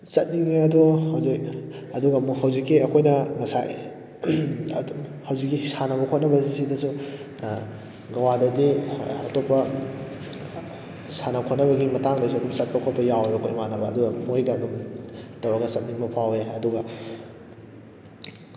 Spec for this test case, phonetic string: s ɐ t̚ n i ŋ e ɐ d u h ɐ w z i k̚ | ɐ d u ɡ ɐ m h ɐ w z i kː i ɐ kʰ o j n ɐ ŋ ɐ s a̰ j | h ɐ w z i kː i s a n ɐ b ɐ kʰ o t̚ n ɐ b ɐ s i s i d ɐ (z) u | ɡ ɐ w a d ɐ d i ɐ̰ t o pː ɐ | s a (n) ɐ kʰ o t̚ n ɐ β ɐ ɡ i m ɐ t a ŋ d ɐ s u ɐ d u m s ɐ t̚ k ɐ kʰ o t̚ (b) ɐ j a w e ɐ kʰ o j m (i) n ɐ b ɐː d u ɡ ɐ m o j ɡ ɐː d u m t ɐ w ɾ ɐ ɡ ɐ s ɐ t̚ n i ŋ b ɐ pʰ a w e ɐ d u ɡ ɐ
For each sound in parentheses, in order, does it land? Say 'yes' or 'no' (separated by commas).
no, yes, no, no